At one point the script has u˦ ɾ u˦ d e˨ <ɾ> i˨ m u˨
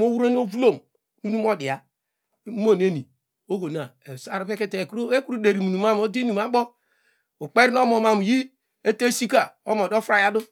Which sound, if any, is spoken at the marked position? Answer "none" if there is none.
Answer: ɾ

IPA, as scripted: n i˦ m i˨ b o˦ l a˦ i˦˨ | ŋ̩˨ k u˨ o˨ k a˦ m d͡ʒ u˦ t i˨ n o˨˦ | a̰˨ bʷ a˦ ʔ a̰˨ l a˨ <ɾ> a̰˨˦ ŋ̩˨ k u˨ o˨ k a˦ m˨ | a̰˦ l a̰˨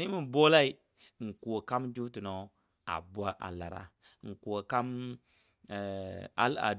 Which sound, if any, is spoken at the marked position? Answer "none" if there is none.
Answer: ɾ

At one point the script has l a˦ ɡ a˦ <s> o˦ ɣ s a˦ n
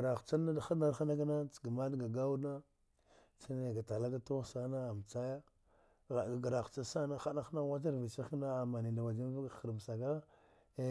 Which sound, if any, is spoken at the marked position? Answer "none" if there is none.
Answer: t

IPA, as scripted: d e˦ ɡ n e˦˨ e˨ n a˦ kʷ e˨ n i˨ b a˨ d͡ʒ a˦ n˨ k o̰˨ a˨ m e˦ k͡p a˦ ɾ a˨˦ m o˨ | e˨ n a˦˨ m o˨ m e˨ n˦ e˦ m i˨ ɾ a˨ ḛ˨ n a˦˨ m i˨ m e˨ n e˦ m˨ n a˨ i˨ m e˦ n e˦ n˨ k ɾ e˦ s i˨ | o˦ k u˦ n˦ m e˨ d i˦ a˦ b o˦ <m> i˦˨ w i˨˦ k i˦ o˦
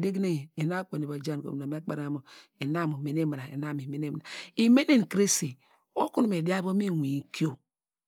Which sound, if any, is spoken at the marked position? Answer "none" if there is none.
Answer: m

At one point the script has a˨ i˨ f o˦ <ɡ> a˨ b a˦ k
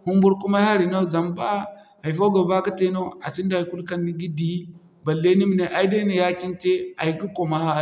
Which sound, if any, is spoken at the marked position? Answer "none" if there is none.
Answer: ɡ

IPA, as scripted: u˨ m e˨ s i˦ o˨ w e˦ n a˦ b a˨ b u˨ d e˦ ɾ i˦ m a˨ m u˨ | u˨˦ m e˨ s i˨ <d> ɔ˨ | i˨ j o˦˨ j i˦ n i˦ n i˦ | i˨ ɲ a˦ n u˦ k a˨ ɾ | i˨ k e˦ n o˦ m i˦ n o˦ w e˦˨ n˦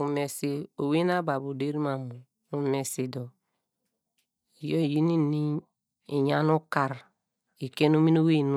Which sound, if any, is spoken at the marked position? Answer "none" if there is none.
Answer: d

